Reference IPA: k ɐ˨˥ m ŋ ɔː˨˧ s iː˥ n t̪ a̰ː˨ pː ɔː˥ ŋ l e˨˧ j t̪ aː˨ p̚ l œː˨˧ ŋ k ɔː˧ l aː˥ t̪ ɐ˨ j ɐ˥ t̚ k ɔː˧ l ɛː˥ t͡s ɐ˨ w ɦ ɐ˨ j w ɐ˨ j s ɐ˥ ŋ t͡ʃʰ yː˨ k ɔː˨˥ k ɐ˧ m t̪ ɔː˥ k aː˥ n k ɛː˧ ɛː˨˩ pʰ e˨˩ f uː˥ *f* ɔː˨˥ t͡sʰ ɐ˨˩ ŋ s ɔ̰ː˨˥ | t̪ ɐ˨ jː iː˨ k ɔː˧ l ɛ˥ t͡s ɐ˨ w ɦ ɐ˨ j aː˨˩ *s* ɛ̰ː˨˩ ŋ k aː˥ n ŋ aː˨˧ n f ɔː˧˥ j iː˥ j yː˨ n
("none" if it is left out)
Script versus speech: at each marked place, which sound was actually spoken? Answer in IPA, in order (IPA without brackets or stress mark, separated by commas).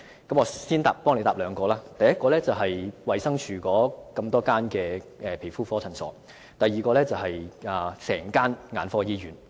f, s